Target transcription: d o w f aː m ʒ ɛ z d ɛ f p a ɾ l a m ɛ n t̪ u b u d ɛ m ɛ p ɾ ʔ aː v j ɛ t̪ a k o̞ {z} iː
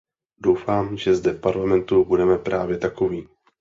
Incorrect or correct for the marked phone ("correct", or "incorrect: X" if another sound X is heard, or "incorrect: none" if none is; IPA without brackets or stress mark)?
incorrect: v